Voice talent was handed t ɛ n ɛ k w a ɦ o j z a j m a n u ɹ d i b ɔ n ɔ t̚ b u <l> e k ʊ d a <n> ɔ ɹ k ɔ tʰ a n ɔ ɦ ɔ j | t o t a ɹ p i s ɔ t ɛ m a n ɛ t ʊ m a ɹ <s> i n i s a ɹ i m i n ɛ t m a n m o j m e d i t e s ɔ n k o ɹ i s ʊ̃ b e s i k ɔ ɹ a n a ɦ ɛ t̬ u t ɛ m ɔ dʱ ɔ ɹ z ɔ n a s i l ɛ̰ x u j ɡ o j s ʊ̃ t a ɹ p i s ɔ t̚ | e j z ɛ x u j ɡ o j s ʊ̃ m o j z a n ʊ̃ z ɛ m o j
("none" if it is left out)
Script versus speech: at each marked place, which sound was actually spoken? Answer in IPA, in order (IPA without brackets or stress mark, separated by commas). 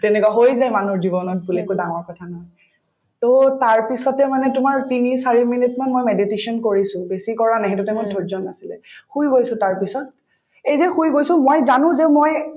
l, ŋ, t